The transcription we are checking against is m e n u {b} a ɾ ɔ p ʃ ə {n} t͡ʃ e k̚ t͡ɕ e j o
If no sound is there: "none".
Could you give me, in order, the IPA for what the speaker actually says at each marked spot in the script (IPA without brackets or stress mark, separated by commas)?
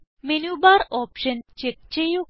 b, n